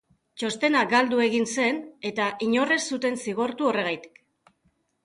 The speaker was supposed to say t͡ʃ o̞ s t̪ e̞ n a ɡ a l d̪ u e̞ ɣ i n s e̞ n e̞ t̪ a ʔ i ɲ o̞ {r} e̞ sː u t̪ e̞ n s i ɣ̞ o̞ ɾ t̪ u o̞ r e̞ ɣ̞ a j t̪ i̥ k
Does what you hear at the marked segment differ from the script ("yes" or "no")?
no